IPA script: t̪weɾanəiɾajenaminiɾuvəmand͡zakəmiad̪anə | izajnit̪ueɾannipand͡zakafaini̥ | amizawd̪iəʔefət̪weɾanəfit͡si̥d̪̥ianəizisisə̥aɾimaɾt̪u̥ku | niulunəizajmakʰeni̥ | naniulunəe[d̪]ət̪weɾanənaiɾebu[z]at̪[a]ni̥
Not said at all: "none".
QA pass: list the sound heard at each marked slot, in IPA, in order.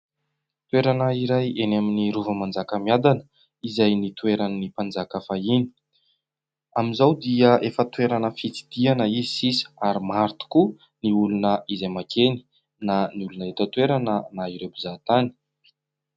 t̪, z, a

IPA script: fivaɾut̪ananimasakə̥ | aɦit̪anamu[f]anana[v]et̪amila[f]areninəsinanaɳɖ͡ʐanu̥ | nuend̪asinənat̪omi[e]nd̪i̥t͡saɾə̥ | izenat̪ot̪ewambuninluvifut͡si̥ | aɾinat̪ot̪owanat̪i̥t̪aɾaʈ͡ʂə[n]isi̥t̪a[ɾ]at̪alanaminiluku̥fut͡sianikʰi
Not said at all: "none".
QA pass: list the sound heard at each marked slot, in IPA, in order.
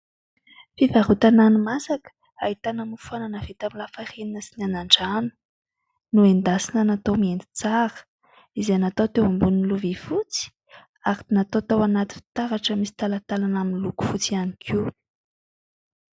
f, v, f, e, m, l

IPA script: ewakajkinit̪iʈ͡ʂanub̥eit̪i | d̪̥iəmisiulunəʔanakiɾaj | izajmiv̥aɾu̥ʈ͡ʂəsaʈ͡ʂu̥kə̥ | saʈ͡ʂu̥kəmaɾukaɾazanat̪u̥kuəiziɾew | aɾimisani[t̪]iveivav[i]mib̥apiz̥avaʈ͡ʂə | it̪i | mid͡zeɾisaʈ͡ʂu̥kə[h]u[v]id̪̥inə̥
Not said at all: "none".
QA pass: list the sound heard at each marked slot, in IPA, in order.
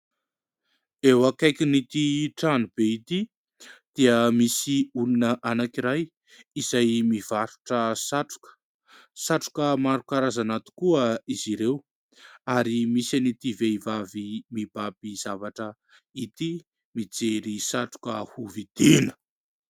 t̪, i, h, v

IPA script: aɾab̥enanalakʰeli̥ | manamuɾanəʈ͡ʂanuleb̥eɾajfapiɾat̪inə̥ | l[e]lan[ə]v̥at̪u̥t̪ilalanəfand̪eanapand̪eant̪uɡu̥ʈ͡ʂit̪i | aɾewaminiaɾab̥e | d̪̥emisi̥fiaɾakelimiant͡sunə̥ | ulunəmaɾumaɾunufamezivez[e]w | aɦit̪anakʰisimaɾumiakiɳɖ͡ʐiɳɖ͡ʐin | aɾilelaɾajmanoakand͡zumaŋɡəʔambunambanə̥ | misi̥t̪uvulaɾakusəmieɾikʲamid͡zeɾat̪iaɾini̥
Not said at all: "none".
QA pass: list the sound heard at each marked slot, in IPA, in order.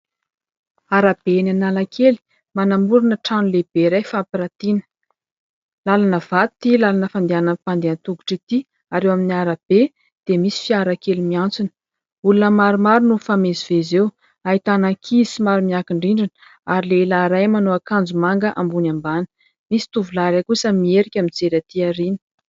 a, ə, e

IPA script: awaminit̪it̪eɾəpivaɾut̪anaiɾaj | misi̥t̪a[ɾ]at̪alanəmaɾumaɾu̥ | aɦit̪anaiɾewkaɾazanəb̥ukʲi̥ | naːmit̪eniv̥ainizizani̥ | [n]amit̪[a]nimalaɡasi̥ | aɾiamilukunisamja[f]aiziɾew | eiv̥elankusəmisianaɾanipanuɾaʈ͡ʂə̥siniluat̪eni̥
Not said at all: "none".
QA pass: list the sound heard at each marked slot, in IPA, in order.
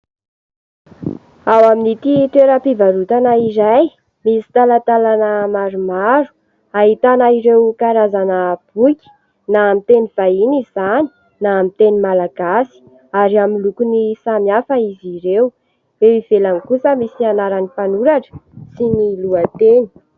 l, n, e, f

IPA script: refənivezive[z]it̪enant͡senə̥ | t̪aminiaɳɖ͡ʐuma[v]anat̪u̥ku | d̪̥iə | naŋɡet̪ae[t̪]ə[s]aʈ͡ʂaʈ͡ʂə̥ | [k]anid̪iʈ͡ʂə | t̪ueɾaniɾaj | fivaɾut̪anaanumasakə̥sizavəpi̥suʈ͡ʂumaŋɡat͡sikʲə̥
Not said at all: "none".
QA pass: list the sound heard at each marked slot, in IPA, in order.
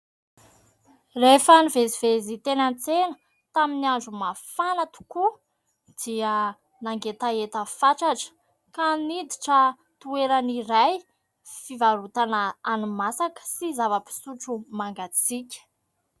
z, f, t̪, f, k

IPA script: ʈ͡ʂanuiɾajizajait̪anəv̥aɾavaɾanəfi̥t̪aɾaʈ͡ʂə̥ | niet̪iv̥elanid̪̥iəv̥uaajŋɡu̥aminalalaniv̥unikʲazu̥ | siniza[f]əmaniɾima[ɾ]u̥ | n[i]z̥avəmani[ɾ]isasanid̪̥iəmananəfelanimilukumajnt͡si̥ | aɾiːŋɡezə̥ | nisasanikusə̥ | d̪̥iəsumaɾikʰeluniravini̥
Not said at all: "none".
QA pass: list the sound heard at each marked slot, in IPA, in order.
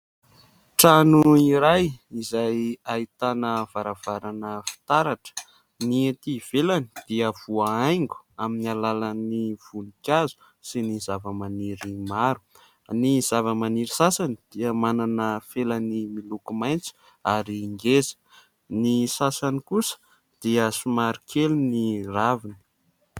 v, ɾ, i, ɾ

